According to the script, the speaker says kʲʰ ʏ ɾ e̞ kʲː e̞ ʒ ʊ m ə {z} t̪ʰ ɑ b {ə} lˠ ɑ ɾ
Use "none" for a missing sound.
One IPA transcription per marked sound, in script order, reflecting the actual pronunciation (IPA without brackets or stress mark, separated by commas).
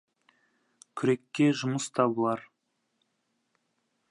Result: s, ə